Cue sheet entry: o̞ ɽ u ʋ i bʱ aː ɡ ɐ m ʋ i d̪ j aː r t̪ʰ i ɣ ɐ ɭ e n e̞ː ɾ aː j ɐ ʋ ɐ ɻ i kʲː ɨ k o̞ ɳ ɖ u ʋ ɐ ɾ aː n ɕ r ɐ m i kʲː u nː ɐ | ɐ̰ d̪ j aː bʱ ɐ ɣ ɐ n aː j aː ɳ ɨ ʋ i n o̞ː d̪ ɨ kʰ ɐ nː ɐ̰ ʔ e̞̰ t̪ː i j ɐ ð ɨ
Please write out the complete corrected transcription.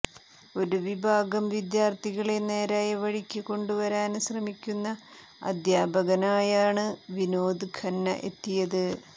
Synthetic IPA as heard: o̞ ɾ u ʋ i bʱ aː ɡ ɐ m ʋ i d̪ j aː r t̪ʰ i ɣ ɐ ɭ e n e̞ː ɾ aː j ɐ ʋ ɐ ɻ i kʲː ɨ k o̞ ɳ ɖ u ʋ ɐ ɾ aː n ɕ r ɐ m i kʲː u nː ɐ | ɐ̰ d̪ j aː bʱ ɐ ɣ ɐ n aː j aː ɳ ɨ ʋ i n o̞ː d̪ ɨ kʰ ɐ nː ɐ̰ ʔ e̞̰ t̪ː i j ɐ ð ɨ

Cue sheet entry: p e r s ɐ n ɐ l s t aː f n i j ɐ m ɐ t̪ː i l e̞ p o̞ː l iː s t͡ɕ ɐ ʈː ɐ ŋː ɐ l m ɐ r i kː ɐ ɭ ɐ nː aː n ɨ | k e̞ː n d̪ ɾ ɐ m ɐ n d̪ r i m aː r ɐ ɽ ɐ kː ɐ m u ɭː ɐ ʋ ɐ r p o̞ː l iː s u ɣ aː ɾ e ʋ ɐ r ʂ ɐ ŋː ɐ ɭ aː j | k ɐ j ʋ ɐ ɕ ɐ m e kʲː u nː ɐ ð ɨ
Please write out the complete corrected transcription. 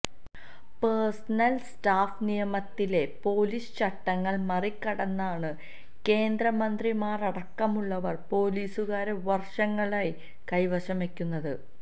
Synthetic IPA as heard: p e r s ɐ n ɐ l s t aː f n i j ɐ m ɐ t̪ː i l e̞ p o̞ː l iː s t͡ɕ ɐ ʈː ɐ ŋː ɐ ɭ m ɐ r i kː ɐ ɽ ɐ nː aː ɳ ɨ | k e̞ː n d̪ ɾ ɐ m ɐ n d̪ r i m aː r ɐ ɽ ɐ kː ɐ m u ɭː ɐ ʋ ɐ r p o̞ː l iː s u ɣ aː ɾ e ʋ ɐ r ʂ ɐ ŋː ɐ ɭ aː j | k ɐ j ʋ ɐ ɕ ɐ m e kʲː u nː ɐ ð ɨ

